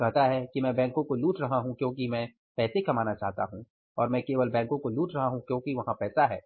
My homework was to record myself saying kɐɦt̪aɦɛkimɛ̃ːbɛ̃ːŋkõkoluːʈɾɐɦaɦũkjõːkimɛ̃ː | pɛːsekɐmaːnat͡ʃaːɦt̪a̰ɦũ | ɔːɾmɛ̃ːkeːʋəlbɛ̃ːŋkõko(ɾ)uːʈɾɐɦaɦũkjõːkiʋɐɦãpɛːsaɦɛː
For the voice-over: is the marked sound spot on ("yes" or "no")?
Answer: no